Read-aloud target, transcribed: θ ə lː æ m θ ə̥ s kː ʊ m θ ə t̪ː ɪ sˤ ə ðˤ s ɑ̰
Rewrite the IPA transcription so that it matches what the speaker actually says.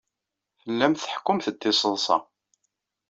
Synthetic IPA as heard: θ ə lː æ m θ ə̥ ħ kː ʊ m θ ə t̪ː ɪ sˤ ə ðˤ s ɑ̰